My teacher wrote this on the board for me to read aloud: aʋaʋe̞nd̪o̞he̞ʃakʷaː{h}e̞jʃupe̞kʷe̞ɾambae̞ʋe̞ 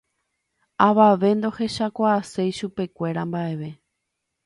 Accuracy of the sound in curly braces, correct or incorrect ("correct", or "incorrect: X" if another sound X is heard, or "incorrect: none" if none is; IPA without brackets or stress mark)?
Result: incorrect: s